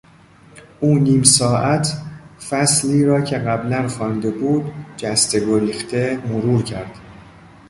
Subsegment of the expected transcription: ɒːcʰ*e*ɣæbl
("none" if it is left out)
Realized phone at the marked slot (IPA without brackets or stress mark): e